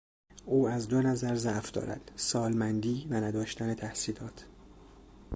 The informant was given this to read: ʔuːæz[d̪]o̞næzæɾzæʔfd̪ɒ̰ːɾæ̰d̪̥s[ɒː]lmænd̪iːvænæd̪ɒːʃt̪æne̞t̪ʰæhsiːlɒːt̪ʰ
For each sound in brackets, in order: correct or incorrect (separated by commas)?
correct, correct